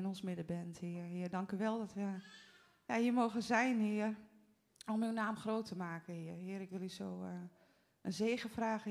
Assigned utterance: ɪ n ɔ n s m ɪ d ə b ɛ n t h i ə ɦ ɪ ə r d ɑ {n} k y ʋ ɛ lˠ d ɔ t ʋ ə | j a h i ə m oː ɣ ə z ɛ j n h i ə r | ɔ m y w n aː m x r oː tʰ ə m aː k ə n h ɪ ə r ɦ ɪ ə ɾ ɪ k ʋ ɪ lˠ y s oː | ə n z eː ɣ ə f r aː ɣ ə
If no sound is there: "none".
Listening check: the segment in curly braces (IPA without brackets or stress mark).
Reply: ŋ